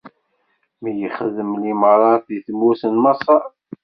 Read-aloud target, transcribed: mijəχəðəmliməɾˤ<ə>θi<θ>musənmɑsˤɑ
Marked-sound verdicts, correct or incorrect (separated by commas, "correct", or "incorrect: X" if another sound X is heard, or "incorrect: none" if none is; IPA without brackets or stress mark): incorrect: ɑ, correct